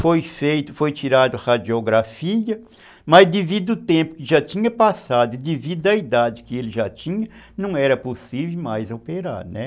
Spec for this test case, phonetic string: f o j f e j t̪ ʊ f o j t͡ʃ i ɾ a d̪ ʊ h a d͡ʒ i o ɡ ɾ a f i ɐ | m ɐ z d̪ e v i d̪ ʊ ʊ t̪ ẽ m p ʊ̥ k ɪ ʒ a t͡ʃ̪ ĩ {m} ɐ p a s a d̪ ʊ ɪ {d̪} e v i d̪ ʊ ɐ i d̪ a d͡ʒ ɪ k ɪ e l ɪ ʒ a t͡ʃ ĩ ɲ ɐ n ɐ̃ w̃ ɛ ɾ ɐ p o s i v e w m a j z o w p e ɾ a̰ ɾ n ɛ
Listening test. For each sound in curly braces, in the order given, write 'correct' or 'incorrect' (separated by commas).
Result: incorrect, correct